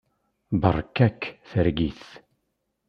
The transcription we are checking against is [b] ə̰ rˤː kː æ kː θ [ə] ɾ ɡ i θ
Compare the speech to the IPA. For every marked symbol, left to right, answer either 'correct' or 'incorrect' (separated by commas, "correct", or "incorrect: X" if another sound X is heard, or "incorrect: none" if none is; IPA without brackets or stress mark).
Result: correct, correct